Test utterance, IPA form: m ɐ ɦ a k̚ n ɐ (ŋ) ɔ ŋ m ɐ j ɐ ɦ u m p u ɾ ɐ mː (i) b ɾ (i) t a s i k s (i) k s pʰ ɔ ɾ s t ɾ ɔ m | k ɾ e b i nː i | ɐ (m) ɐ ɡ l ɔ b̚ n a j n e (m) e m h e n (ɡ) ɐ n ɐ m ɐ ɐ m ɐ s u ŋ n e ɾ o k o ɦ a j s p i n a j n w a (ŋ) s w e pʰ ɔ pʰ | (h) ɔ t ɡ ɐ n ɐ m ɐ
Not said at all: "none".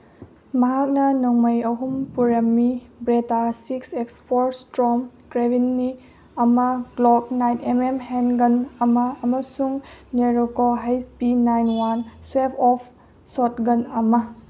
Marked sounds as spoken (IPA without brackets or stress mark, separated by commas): n, i, e, e, m, m, ɡ, n, s